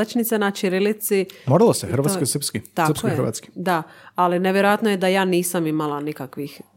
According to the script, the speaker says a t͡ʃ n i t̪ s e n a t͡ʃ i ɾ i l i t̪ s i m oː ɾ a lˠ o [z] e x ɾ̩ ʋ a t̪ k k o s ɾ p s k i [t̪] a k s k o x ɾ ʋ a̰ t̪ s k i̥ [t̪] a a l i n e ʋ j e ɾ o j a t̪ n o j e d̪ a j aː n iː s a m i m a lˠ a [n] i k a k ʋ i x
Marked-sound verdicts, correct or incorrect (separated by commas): incorrect, correct, incorrect, correct